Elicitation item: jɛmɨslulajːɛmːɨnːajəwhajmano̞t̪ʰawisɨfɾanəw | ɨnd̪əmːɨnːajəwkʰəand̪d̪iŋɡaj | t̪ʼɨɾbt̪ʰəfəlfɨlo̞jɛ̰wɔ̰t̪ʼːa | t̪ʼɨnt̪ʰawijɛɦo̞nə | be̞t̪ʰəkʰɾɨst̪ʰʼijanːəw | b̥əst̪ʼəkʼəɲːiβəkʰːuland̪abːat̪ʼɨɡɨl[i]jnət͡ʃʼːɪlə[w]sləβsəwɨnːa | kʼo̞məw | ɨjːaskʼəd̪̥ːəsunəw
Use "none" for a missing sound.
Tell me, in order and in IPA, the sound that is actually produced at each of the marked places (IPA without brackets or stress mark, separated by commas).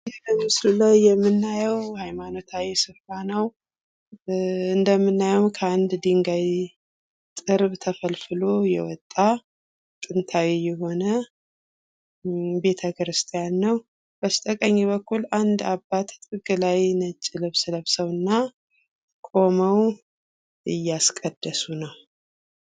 a, β